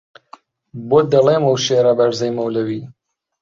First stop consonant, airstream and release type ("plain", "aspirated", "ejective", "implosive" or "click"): plain